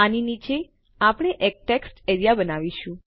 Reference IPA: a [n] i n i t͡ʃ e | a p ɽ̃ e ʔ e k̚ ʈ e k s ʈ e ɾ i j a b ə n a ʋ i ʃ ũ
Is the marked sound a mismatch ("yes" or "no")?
no